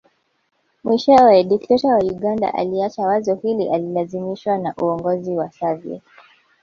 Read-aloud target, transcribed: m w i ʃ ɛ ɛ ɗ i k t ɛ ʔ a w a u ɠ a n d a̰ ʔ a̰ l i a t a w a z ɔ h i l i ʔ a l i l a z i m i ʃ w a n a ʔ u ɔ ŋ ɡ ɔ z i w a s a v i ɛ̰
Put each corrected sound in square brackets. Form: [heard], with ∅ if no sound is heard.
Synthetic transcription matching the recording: m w i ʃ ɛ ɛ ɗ i k t ɛ [t] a w a u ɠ a n d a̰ ʔ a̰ l i a [t͡ʃ] a w a z ɔ h i l i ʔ a l i l a z i m i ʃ w a n a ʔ u ɔ ŋ ɡ ɔ z i w a s a v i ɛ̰